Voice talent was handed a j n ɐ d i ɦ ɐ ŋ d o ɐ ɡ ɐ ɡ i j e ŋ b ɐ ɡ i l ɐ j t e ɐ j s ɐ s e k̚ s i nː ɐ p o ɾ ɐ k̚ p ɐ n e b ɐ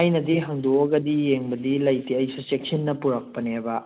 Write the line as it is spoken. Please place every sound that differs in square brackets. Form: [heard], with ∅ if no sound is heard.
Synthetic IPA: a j n ɐ d i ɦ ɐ ŋ d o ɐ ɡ ɐ [d] i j e ŋ b ɐ [d] i l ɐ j t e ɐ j s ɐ s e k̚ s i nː ɐ p [u] ɾ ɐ k̚ p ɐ n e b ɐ